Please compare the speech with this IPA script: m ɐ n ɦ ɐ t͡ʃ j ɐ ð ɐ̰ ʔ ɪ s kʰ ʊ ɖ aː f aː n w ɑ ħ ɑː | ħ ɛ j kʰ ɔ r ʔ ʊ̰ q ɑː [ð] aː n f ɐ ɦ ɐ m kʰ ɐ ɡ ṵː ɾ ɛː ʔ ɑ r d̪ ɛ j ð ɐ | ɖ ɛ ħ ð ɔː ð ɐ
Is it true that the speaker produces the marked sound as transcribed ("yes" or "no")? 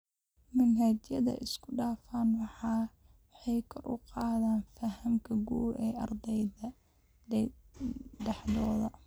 yes